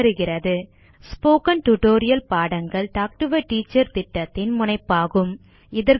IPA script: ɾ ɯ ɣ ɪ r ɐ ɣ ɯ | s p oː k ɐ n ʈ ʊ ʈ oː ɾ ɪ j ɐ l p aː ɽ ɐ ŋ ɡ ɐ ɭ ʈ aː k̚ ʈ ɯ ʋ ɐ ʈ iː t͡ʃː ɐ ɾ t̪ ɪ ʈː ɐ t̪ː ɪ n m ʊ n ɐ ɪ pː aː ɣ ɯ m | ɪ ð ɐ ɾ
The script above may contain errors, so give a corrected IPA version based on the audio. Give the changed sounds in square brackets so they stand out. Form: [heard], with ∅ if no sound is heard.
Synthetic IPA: ɾ ɯ ɣ ɪ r ɐ [ð] ɯ | s p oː k ɐ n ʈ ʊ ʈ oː ɾ ɪ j ɐ l p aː ɽ ɐ ŋ ɡ ɐ ɭ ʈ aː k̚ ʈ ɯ ʋ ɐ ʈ iː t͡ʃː ɐ ɾ t̪ ɪ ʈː ɐ t̪ː ɪ n m ʊ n ɐ ɪ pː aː ɣ ɯ m | ɪ ð ɐ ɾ